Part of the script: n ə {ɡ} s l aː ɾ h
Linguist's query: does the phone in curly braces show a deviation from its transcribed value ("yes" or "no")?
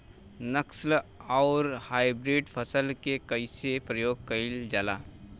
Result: yes